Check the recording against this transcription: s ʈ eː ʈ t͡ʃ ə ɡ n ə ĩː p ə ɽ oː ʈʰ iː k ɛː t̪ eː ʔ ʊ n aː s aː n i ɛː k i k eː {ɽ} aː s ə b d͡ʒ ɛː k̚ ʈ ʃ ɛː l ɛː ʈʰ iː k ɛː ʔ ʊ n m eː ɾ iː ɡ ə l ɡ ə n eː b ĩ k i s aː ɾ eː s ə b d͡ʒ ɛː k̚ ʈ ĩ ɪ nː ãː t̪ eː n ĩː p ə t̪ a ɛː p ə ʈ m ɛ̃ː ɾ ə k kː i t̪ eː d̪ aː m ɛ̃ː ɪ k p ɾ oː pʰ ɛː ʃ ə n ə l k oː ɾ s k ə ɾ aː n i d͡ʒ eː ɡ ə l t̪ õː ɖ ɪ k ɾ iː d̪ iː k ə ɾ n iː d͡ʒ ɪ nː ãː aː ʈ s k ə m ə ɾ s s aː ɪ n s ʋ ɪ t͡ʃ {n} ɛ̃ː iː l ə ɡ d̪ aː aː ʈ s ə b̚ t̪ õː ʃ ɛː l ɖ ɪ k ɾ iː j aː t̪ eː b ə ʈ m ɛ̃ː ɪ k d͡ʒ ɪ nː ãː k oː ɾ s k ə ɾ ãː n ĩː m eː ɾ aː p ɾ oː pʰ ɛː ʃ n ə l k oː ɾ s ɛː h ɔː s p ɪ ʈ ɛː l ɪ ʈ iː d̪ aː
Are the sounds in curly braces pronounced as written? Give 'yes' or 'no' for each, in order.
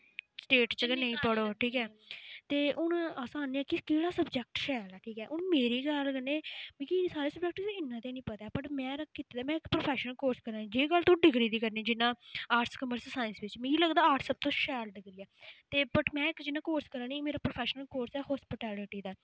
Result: yes, no

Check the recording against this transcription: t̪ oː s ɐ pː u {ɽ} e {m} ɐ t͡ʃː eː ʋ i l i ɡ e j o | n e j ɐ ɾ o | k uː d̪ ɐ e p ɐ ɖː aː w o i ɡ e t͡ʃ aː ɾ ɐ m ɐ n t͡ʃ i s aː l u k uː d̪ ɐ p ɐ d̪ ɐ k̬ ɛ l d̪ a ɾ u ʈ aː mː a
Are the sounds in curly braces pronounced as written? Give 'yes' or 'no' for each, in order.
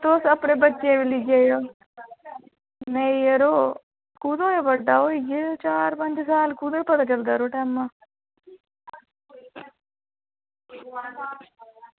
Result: yes, no

